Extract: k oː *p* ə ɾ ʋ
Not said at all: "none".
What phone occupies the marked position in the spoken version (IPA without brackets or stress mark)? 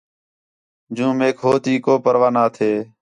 p